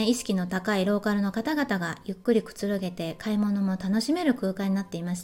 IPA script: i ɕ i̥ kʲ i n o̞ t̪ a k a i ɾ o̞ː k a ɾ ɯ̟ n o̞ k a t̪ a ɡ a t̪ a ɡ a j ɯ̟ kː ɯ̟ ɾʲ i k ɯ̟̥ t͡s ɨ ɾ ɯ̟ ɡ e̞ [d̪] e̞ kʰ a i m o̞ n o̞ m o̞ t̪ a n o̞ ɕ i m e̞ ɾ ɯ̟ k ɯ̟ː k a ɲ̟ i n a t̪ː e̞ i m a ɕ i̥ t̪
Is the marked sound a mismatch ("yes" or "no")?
yes